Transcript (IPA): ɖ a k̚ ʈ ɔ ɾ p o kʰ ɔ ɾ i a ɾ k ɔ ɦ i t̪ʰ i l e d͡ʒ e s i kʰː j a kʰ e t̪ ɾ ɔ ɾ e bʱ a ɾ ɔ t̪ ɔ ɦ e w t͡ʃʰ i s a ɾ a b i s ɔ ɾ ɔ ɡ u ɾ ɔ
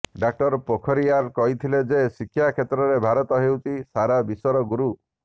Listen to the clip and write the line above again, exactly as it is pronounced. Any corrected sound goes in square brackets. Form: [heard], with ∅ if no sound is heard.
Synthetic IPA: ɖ a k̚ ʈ ɔ ɾ p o kʰ ɔ ɾ i a ɾ k ɔ ɦ i t̪ʰ i l e d͡ʒ e s i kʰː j a kʰ e t̪ ɾ ɔ ɾ e bʱ a ɾ ɔ t̪ ɔ ɦ e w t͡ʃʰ i s a ɾ a b i s ɔ ɾ ɔ ɡ u ɾ [u]